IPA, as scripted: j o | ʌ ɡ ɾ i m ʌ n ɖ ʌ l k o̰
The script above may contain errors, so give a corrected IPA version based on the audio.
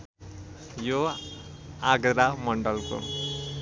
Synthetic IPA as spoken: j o | a ɡ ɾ a m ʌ ɳ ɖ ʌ l k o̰